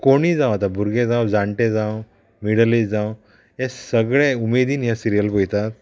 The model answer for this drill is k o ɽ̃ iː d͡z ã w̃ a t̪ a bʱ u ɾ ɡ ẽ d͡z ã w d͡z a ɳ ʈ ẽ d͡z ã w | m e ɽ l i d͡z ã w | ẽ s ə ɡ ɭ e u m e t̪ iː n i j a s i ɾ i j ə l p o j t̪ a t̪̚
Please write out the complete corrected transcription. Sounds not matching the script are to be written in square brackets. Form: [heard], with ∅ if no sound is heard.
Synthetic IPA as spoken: k o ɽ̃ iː d͡z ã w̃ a t̪ a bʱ u ɾ ɡ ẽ d͡z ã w d͡z a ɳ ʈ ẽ d͡z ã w | m [i] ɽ l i d͡z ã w | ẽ s ə ɡ ɭ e u m e [d̪] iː n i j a s i ɾ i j ə l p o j t̪ a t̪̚